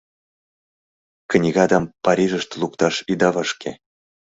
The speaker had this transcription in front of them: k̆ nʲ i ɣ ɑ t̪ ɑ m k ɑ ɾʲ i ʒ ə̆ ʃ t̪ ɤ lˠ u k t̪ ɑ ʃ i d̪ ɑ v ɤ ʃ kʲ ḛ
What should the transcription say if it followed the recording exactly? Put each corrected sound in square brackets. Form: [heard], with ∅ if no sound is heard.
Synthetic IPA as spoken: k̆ nʲ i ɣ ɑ [d̪] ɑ m [p] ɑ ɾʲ i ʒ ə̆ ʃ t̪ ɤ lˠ u k t̪ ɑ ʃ i d̪ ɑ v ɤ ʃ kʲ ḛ